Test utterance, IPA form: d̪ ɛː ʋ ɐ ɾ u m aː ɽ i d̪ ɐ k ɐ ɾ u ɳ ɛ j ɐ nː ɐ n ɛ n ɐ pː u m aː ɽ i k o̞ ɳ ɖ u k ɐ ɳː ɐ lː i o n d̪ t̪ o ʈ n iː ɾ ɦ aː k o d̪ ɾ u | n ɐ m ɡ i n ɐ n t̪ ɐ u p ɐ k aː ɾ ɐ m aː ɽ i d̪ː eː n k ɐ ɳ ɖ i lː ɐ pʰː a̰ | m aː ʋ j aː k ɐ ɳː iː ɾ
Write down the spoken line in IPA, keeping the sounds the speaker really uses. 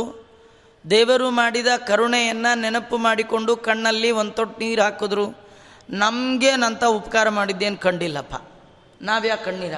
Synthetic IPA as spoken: d̪ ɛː ʋ ɐ ɾ u m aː ɽ i d̪ ɐ k ɐ ɾ u ɳ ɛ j ɐ nː ɐ n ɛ n ɐ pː u m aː ɽ i k o̞ ɳ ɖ u k ɐ ɳː ɐ lː i o n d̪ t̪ o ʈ n iː ɾ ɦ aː k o d̪ ɾ u | n ɐ m ɡ e n ɐ n t̪ ɐ u p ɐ k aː ɾ ɐ m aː ɽ i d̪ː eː n k ɐ ɳ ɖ i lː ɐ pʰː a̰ | n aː ʋ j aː k ɐ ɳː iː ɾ